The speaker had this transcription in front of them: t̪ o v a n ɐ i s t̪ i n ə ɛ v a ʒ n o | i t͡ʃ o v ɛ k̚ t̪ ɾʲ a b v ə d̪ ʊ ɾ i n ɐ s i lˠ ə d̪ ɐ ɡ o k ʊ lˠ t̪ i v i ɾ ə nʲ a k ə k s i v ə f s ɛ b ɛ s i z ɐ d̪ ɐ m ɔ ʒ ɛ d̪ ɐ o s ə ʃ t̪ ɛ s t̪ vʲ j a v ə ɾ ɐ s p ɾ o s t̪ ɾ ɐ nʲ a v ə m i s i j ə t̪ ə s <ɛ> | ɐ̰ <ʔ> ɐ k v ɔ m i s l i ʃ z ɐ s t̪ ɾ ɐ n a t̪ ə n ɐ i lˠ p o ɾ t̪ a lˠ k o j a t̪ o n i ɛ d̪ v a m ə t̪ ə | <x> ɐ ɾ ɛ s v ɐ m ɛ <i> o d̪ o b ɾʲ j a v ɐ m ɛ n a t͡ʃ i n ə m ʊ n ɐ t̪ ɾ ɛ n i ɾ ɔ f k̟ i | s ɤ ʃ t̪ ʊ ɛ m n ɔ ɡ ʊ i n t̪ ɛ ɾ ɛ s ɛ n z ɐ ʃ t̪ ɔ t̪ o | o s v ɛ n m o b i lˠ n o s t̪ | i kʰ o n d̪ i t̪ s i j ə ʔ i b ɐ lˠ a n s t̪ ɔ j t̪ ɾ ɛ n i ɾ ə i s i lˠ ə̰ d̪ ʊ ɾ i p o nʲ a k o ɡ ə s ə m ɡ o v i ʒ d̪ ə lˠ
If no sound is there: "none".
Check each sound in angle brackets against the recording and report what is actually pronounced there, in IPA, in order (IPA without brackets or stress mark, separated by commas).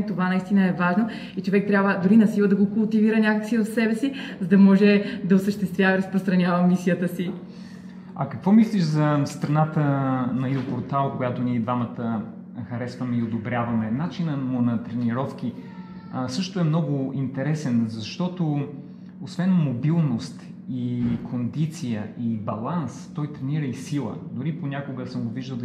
i, k, x, i